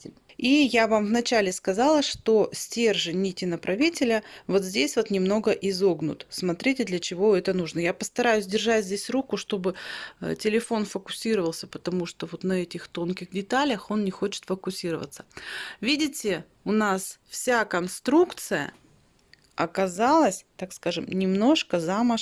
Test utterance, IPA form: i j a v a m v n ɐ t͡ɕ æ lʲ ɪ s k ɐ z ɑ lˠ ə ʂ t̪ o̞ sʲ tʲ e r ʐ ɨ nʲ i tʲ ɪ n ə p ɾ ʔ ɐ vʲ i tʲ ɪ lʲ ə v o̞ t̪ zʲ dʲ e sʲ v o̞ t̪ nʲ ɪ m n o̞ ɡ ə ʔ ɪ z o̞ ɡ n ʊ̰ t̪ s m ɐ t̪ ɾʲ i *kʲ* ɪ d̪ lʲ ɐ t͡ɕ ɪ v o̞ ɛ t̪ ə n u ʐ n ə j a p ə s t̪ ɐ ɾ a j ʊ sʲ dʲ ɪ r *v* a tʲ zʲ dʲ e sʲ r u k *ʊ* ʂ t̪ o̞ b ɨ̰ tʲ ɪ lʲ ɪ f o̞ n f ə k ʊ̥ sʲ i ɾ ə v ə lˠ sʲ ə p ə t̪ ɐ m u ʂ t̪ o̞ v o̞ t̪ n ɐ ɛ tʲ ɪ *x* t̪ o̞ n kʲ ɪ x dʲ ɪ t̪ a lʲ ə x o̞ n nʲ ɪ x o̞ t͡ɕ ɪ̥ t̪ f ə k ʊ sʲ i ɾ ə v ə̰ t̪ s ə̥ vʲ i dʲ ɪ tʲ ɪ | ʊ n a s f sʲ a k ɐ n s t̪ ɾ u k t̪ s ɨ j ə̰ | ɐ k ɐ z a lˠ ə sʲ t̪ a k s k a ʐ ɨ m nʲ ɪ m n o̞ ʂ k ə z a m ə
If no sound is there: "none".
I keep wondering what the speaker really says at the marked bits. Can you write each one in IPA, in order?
tʲ, ʐ, ʊ, x

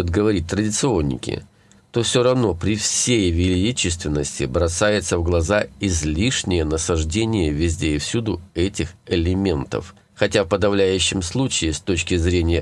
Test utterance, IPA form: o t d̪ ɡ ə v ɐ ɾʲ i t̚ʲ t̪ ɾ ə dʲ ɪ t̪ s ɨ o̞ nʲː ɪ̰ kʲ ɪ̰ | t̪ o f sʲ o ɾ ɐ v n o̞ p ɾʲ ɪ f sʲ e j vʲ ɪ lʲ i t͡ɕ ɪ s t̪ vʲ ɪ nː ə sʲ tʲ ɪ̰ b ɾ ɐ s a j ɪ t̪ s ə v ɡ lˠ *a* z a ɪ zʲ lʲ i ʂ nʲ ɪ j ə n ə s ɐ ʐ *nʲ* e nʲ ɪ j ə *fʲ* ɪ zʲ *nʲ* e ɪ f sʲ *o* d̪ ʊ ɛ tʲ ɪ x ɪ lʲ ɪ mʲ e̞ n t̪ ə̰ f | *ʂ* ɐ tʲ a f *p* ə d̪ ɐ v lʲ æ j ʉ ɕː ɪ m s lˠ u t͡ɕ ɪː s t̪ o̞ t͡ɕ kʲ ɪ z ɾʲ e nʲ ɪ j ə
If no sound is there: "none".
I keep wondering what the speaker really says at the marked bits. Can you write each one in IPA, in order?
ɐ, dʲ, vʲ, dʲ, u, x, p

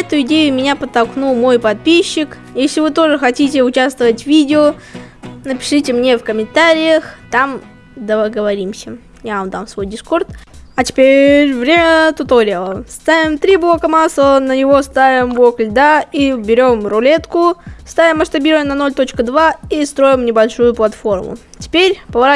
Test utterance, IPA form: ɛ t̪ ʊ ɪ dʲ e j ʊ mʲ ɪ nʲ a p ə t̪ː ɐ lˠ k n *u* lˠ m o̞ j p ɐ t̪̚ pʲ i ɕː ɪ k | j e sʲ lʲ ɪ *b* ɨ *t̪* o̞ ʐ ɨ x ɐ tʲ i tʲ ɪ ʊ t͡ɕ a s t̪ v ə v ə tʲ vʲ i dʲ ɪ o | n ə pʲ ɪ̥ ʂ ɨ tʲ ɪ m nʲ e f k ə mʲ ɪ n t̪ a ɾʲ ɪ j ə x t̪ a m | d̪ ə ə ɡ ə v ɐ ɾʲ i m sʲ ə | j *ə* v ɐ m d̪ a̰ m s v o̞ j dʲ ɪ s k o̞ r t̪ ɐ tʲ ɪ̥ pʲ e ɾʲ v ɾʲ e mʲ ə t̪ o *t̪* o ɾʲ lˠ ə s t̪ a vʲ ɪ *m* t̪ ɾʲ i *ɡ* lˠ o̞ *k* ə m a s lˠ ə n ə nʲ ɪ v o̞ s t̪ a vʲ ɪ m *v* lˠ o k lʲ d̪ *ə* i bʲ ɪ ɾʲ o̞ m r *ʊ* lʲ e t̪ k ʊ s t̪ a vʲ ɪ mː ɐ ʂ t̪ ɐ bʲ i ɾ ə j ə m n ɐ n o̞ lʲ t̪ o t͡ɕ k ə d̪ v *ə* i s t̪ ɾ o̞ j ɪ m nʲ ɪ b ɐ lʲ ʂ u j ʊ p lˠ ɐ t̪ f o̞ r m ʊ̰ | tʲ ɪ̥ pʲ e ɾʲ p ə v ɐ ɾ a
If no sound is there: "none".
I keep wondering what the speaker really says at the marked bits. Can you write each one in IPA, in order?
u, v, t̪, a, t̪, m, b, k, b, a, ʊ, a

